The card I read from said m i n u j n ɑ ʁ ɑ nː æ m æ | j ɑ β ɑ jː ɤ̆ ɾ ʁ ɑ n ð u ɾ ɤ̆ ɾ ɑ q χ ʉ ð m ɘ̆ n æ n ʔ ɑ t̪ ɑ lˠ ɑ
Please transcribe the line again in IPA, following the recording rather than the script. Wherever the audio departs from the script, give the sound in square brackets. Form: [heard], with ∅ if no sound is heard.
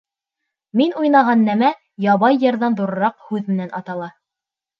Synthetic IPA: m i n u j n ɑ ʁ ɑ nː æ m æ | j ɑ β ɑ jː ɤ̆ ɾ [ð] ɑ n ð u ɾ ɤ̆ ɾ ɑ q [h] ʉ ð m ɘ̆ n æ n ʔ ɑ t̪ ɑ lˠ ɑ